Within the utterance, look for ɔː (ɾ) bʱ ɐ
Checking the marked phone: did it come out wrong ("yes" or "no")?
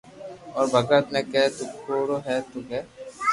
no